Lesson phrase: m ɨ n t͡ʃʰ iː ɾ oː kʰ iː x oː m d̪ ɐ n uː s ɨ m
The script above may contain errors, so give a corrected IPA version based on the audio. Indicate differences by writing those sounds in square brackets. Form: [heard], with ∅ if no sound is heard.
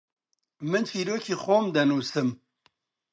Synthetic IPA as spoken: m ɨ n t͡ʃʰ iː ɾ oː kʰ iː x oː m d̪ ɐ n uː s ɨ m